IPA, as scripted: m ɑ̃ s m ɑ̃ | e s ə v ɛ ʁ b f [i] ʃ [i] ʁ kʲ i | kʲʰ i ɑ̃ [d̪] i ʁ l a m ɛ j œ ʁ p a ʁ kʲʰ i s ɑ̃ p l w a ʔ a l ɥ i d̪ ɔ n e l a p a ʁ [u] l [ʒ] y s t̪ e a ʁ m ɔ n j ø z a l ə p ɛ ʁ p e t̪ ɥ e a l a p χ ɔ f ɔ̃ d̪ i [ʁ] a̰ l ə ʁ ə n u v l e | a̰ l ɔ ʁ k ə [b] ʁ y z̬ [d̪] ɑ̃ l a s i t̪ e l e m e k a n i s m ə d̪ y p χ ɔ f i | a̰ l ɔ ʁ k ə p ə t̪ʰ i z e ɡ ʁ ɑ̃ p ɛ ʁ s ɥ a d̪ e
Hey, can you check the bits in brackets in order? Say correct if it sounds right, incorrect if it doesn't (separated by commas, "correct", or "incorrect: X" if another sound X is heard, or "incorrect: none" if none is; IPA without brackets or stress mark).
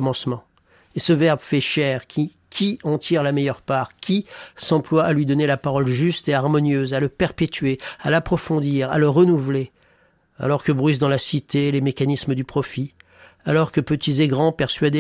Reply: incorrect: ɛ, incorrect: ɛ, incorrect: t̪, incorrect: ɔ, correct, correct, correct, correct